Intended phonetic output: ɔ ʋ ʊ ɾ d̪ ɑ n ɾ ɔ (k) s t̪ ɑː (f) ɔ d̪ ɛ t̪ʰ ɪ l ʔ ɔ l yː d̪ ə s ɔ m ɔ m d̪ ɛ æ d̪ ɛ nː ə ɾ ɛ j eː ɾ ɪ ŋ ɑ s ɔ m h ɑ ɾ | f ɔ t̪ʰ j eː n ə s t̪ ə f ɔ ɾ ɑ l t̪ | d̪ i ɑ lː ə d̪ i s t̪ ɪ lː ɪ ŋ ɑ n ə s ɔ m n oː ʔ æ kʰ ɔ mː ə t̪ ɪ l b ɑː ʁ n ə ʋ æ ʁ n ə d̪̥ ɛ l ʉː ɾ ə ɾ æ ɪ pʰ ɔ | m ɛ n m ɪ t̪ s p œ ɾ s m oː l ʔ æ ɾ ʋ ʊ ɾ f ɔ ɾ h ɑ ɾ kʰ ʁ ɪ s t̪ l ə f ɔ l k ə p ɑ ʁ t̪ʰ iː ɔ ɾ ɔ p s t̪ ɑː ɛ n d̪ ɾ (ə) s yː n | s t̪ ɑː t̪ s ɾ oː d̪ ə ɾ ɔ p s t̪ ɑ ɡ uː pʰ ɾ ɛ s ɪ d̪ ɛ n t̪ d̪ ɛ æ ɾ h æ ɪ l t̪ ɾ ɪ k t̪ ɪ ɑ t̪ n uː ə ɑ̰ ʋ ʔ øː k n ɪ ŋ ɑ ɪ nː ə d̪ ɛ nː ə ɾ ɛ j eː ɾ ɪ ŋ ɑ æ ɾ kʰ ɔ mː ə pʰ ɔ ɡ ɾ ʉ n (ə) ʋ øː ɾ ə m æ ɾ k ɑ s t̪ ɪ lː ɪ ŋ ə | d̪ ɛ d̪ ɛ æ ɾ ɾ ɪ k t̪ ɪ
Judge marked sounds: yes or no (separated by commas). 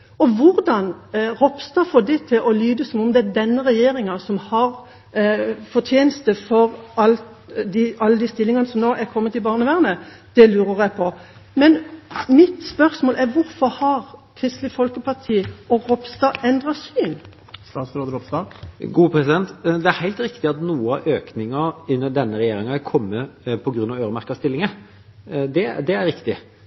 no, yes, no, no